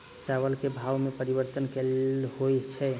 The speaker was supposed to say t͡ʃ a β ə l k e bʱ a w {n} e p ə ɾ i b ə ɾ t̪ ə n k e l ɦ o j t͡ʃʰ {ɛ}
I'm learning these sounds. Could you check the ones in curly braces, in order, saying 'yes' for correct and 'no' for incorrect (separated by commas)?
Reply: no, yes